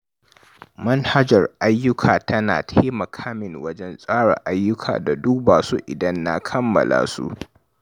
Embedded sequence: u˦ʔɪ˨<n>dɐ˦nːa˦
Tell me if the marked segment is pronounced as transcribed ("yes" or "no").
no